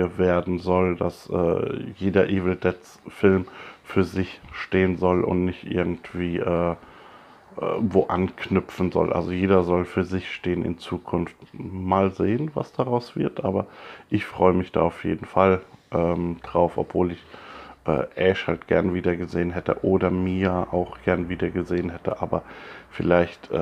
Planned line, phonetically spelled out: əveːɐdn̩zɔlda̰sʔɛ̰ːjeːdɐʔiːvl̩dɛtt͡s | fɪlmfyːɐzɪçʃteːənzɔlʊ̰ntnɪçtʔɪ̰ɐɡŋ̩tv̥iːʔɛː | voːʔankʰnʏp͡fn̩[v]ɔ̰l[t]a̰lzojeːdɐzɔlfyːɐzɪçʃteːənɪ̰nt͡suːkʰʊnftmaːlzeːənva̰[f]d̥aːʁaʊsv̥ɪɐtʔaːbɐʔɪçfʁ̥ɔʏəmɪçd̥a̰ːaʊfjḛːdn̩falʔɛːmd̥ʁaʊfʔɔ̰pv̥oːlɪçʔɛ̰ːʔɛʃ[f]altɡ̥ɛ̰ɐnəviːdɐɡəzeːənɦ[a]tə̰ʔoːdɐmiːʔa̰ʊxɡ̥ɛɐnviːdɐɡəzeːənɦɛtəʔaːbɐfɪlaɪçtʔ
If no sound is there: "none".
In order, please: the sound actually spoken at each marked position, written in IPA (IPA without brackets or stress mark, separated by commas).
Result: z, ʔ, s, h, ɛ